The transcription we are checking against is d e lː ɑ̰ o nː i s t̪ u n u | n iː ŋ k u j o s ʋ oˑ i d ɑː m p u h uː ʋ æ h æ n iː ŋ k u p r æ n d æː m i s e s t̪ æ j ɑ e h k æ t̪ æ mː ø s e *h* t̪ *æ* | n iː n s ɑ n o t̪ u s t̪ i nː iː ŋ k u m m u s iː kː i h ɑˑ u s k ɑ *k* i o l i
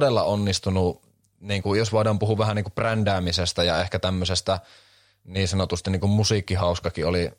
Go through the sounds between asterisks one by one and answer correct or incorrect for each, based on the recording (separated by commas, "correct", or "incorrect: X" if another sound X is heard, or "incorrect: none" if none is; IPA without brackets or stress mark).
incorrect: s, correct, correct